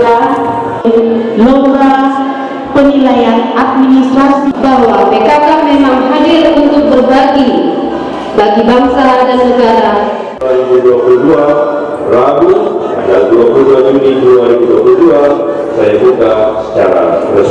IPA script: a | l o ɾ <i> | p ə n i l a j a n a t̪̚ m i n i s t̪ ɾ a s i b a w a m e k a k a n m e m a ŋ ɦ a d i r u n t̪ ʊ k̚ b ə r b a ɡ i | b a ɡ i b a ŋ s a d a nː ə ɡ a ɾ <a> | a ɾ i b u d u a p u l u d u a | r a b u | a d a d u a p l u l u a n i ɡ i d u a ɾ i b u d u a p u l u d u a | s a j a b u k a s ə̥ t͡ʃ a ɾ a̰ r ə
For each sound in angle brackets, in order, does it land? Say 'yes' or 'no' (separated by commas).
no, yes